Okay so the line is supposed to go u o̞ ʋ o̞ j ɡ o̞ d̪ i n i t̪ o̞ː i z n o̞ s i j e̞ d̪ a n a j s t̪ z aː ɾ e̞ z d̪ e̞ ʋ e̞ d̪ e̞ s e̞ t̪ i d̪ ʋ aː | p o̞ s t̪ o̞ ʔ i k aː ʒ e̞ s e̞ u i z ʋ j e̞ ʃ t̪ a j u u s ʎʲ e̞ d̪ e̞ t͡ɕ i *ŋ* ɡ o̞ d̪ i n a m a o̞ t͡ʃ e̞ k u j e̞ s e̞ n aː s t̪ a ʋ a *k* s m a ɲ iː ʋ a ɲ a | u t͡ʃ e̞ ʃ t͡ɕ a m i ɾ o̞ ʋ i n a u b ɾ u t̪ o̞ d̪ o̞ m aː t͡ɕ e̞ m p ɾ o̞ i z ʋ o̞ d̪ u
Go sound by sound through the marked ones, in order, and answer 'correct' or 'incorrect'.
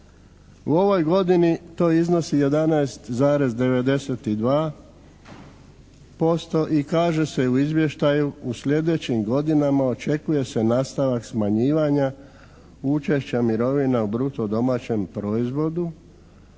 incorrect: m, correct

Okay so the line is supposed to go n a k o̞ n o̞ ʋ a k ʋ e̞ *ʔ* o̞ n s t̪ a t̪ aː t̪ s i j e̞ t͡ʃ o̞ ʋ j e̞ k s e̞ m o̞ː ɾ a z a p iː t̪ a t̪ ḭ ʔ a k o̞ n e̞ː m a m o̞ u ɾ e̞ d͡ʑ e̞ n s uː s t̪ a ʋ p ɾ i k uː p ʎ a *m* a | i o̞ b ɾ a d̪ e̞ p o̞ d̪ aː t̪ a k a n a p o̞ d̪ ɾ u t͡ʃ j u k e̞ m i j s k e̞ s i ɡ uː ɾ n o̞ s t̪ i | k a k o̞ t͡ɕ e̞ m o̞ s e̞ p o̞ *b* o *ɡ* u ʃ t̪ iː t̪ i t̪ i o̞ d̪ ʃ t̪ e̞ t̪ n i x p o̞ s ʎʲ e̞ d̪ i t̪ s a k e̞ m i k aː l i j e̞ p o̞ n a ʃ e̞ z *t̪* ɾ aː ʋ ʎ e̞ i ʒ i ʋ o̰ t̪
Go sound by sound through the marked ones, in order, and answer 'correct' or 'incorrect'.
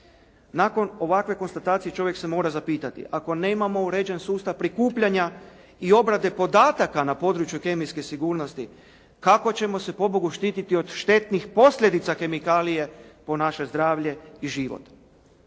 incorrect: k, incorrect: ɲ, correct, correct, incorrect: d̪

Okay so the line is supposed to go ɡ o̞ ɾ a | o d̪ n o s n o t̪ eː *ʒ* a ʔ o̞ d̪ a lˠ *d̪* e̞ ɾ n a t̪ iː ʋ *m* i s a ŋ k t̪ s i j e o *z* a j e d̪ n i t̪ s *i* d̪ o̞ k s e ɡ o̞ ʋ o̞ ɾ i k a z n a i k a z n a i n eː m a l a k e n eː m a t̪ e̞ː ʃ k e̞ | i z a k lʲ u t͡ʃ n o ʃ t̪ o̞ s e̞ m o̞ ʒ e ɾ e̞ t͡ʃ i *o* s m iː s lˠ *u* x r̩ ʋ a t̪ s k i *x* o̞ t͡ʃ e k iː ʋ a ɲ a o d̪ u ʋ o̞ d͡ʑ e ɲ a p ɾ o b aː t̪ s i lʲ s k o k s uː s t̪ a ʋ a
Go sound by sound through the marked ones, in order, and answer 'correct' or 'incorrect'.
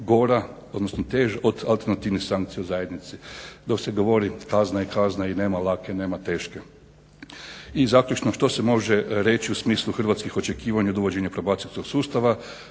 correct, incorrect: t̪, incorrect: n, correct, correct, incorrect: u, correct, correct

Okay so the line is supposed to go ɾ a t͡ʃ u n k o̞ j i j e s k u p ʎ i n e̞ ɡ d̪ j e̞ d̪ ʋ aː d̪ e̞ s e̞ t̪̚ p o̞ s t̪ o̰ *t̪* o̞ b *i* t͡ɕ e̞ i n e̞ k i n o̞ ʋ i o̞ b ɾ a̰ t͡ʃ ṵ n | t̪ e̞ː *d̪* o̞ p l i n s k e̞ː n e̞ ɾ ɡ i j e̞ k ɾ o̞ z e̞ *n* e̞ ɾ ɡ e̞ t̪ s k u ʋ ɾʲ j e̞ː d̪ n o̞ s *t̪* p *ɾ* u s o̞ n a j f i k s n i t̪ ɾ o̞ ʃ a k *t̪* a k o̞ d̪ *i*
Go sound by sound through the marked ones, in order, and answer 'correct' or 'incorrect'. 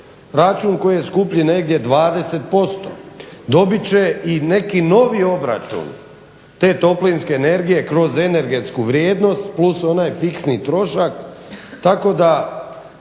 incorrect: d̪, correct, incorrect: t̪, correct, correct, incorrect: l, correct, incorrect: a

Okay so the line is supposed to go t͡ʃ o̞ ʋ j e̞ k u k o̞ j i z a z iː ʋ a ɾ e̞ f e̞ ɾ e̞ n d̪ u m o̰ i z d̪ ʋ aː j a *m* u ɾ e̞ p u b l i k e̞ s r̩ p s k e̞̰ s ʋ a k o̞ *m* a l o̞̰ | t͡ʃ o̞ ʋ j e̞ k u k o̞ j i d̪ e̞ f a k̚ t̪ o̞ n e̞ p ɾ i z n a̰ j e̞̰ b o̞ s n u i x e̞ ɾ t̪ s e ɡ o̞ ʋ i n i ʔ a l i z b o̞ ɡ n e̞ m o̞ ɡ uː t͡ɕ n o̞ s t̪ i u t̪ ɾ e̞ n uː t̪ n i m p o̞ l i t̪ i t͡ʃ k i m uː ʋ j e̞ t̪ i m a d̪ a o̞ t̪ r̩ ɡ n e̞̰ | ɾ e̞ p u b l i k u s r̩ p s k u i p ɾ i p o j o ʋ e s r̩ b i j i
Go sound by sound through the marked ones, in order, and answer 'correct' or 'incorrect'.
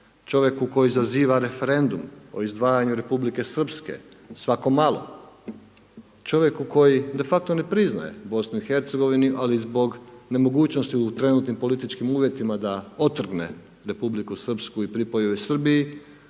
incorrect: ɲ, correct

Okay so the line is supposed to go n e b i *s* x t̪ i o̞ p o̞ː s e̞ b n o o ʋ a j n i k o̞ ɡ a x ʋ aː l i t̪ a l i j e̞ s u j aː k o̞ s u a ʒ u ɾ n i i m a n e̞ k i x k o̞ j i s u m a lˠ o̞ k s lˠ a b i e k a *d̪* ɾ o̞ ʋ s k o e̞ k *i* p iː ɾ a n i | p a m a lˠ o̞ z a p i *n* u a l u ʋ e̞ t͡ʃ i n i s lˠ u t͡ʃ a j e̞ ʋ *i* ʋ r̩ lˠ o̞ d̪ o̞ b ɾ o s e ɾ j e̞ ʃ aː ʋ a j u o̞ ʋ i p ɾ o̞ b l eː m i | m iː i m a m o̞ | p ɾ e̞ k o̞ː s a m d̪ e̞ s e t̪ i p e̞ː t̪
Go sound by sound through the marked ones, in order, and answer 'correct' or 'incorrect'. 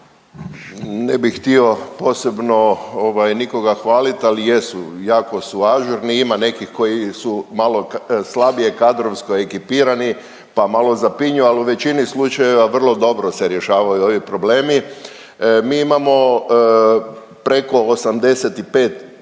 incorrect: x, correct, correct, incorrect: ɲ, incorrect: a

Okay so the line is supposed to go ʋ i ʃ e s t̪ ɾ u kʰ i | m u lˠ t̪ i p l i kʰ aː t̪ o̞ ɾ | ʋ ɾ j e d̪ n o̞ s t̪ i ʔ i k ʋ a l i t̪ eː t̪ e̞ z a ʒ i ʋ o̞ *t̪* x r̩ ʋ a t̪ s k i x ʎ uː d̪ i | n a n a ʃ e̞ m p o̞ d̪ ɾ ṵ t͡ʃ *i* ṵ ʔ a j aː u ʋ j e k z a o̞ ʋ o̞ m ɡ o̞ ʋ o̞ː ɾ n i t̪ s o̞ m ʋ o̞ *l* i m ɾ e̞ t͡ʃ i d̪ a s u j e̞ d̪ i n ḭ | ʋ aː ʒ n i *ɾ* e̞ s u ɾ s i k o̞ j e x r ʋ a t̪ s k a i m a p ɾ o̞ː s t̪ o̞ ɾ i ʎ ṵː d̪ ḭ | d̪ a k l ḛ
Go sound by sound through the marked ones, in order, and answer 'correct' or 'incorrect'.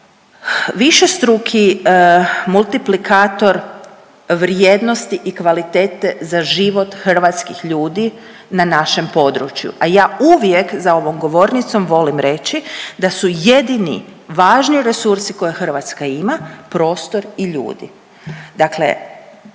correct, incorrect: j, correct, correct

